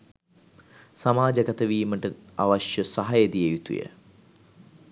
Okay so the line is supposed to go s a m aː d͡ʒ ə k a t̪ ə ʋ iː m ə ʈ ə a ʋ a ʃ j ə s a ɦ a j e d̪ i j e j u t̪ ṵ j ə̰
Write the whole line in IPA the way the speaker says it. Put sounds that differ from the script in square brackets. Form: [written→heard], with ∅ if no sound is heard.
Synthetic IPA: s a m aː d͡ʒ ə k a t̪ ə ʋ iː m ə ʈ ə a ʋ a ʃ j ə s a ɦ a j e d̪ i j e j u t̪ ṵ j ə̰